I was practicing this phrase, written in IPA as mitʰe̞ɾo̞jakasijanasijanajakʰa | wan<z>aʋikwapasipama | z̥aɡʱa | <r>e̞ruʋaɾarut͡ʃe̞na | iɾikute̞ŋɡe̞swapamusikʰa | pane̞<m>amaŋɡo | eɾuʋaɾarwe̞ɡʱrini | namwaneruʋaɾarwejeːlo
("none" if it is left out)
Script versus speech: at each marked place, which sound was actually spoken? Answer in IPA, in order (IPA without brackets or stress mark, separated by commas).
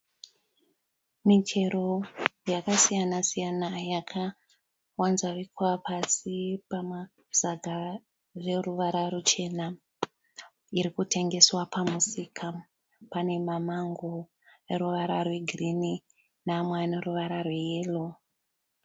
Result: z, r, m